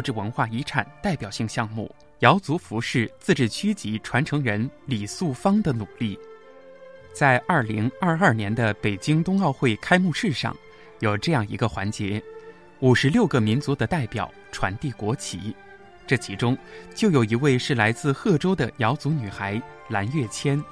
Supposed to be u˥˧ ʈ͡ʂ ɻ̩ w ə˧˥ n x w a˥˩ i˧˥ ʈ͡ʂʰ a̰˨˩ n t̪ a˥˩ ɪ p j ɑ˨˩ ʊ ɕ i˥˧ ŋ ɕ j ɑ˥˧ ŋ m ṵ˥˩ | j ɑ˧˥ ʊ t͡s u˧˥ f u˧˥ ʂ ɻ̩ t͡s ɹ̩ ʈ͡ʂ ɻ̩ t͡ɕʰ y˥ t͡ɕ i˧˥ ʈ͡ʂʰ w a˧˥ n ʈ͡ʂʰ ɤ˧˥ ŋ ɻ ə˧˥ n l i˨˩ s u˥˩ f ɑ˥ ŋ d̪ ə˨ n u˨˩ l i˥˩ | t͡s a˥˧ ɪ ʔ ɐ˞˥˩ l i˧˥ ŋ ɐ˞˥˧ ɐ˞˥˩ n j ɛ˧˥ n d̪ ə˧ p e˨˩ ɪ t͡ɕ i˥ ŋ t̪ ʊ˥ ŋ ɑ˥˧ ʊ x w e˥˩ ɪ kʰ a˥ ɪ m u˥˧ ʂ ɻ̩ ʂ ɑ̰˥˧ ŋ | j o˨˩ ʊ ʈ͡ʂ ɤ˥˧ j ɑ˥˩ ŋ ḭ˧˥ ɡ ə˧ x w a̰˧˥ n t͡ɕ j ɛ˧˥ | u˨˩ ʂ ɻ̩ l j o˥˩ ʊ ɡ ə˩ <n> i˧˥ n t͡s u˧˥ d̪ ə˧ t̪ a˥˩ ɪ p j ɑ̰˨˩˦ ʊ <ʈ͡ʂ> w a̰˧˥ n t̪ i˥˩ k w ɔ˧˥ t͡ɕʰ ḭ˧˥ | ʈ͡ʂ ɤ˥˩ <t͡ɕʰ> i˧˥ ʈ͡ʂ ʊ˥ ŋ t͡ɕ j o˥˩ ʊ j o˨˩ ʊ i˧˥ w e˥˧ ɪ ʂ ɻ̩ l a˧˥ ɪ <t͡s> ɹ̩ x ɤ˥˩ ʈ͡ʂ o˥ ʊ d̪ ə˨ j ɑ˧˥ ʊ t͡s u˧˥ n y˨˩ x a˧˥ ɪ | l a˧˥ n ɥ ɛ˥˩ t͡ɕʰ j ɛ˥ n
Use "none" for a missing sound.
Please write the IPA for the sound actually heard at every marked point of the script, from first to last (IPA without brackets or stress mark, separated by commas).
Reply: m, ʈ͡ʂʰ, t͡ɕʰ, t͡s